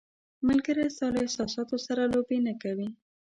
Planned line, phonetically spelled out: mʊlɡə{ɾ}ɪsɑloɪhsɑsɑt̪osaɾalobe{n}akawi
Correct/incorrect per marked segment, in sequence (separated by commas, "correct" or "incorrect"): correct, correct